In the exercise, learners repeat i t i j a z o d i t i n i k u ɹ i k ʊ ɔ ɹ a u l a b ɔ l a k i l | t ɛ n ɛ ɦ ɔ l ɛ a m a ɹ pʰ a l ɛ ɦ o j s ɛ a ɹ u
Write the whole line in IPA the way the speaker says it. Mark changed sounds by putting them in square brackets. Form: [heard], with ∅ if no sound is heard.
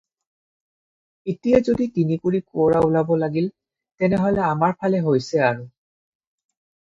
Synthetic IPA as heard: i t i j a z o d i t i n i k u ɹ i k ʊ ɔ ɹ a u l a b ɔ l a [ɡ] i l | t ɛ n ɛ ɦ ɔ l ɛ a m a ɹ pʰ a l ɛ ɦ o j s ɛ a ɹ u